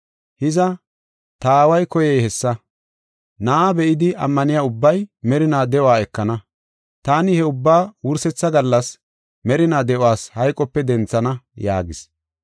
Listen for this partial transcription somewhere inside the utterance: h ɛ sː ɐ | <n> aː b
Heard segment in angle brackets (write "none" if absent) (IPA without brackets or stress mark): n